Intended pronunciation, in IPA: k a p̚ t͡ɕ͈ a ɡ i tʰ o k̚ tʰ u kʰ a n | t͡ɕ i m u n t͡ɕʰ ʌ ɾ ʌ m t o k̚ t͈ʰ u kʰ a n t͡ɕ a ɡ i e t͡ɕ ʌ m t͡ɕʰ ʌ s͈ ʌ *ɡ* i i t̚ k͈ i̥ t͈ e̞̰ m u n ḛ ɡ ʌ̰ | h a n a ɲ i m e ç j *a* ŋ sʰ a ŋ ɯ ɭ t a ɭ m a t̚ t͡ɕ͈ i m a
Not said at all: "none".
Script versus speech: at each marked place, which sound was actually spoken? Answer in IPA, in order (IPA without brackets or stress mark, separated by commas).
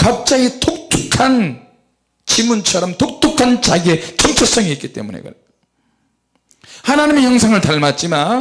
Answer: ŋ, ʌ